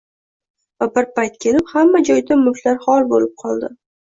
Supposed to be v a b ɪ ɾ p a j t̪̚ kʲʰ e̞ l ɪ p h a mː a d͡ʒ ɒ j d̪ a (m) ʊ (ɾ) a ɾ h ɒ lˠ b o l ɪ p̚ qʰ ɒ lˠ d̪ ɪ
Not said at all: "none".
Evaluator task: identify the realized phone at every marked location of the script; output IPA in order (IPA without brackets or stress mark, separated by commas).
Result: m, l